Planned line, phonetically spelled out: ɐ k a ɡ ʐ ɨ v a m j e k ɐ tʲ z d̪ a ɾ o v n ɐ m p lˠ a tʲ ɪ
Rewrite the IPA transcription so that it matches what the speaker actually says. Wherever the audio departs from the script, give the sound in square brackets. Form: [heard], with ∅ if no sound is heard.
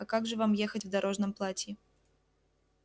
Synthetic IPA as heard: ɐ k a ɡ ʐ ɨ v a m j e [x] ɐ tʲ [v] d̪ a ɾ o [ʐ] n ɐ m p lˠ a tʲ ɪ